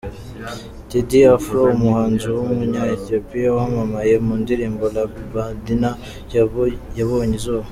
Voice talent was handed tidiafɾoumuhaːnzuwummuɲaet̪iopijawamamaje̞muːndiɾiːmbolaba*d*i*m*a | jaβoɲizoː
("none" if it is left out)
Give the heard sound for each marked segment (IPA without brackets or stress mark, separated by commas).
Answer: d, n